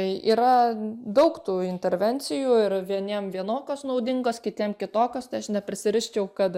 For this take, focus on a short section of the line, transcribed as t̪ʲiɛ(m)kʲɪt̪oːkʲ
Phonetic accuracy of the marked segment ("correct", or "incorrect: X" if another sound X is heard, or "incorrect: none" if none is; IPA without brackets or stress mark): correct